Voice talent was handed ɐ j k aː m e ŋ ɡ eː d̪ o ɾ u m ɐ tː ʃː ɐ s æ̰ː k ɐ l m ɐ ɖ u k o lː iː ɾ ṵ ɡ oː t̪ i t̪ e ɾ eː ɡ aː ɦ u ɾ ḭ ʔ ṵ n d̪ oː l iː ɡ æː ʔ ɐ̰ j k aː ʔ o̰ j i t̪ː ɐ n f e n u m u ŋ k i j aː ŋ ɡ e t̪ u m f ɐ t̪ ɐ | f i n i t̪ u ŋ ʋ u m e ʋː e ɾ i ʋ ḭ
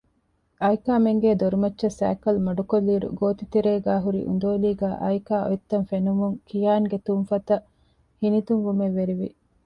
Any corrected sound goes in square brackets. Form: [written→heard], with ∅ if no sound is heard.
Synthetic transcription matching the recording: ɐ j k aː m e ŋ ɡ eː d̪ o ɾ u m ɐ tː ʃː ɐ s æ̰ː k ɐ l m ɐ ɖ u k o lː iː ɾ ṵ ɡ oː t̪ i t̪ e ɾ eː ɡ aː ɦ u ɾ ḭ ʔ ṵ n d̪ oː l iː ɡ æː ʔ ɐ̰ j k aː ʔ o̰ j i t̪ː ɐ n f e n u m u ŋ k i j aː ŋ ɡ e t̪ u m f ɐ t̪ ɐ | [f→h] i n i t̪ u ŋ ʋ u m e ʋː e ɾ i ʋ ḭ

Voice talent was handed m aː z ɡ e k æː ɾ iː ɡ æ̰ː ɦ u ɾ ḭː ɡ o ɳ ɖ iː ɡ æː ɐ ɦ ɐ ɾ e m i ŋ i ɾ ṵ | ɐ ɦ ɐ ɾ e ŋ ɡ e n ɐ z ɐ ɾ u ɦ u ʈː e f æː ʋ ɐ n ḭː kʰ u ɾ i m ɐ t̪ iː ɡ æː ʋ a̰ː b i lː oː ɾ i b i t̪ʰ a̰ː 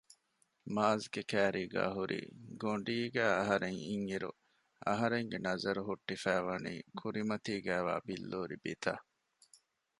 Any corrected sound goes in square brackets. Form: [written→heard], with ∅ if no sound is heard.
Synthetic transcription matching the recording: m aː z ɡ e k æː ɾ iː ɡ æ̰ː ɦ u ɾ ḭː ɡ o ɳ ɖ iː ɡ æː ɐ ɦ ɐ ɾ e [m→ŋ] i ŋ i ɾ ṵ | ɐ ɦ ɐ ɾ e ŋ ɡ e n ɐ z ɐ ɾ u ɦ u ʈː [e→i] f æː ʋ ɐ n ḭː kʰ u ɾ i m ɐ t̪ iː ɡ æː ʋ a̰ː b i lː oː ɾ i b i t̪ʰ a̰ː

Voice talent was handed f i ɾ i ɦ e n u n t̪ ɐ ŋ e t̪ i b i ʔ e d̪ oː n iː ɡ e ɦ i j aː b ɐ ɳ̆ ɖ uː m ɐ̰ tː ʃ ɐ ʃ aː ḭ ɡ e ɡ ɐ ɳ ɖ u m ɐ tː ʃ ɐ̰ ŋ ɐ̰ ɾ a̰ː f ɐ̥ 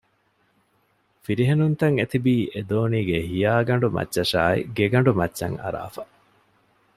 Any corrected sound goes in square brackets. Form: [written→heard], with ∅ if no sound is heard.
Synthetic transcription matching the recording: f i ɾ i ɦ e n u n t̪ ɐ ŋ e t̪ i b [i→iː] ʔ e d̪ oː n iː ɡ e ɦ i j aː [b→ɡ] ɐ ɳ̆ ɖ [uː→u] m ɐ̰ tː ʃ ɐ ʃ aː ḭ ɡ e ɡ ɐ ɳ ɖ u m ɐ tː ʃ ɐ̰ ŋ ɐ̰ ɾ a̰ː f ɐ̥

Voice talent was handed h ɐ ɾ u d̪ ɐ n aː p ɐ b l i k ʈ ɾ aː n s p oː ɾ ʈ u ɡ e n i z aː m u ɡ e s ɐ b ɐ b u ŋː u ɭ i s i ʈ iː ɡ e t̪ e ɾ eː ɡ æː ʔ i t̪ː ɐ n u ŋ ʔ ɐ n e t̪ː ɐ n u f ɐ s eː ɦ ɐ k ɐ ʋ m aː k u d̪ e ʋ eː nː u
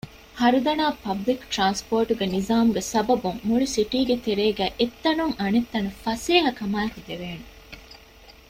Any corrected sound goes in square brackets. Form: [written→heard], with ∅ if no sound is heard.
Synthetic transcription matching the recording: h ɐ ɾ u d̪ ɐ n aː p ɐ b l i k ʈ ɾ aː n s p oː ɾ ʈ u ɡ e n i z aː m u ɡ e s ɐ b ɐ b u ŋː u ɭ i s i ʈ iː ɡ e t̪ e ɾ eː ɡ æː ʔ [i→e] t̪ː ɐ n u ŋ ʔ ɐ n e t̪ː ɐ n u f ɐ s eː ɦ ɐ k ɐ [ʋ→∅] m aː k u d̪ e ʋ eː [nː→n] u

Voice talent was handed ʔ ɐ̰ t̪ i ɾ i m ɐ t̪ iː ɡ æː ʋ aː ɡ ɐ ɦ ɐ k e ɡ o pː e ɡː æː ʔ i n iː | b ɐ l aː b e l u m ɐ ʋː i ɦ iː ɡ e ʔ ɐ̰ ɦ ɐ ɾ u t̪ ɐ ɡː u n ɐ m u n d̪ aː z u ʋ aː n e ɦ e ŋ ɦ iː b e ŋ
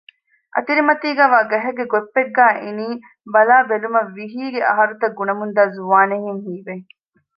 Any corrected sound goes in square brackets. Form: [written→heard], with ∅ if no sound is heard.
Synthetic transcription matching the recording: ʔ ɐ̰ t̪ i ɾ i m ɐ t̪ iː ɡ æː ʋ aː ɡ ɐ ɦ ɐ [k→ɡ] e ɡ o pː e ɡː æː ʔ i n iː | b ɐ l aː b e l u m ɐ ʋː i ɦ iː ɡ e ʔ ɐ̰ ɦ ɐ ɾ u t̪ ɐ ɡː u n ɐ m u n d̪ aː z u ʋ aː n e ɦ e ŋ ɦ iː b e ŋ

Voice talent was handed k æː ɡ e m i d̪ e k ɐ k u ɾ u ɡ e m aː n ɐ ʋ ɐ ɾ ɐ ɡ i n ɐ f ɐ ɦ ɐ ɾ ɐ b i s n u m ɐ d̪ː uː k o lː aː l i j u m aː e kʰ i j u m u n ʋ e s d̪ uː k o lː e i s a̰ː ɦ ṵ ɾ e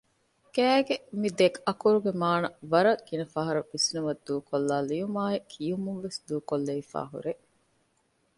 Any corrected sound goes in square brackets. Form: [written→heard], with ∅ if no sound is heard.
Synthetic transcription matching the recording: k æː ɡ e m i d̪ e k ɐ k u ɾ u ɡ e m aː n ɐ ʋ ɐ ɾ ɐ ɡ i n ɐ f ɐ ɦ ɐ ɾ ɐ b i s n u m ɐ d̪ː uː k o lː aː l i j u m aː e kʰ i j u m u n ʋ e s d̪ uː k o lː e i [s→f] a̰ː ɦ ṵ ɾ e

